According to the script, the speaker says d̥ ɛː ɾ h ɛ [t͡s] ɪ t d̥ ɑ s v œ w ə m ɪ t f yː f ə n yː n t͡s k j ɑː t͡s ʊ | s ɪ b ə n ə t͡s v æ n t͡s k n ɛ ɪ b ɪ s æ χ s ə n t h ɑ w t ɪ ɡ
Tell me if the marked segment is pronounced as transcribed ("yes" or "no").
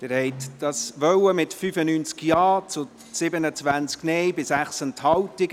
no